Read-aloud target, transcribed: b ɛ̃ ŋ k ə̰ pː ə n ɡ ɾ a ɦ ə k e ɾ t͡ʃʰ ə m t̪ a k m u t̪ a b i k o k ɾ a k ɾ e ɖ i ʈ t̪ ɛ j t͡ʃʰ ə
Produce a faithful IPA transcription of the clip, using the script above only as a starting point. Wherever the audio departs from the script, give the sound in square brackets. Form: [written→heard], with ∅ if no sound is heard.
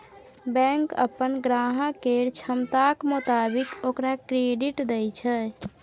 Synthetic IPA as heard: b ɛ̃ ŋ k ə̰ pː ə n ɡ ɾ a ɦ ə k e ɾ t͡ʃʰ ə m t̪ a k m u t̪ a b i k o k ɾ a k ɾ e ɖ i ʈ [t̪→d̪] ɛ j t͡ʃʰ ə